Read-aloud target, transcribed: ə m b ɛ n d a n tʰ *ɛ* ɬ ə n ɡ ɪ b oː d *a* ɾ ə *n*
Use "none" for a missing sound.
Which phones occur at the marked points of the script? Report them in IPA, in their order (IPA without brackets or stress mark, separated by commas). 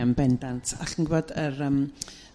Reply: a, ə, m